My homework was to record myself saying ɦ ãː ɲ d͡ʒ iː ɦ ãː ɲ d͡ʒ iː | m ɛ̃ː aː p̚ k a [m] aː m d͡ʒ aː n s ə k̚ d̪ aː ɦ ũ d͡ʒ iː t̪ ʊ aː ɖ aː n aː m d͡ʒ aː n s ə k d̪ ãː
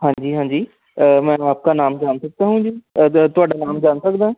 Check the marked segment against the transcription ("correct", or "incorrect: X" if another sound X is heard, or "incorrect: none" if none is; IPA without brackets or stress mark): incorrect: n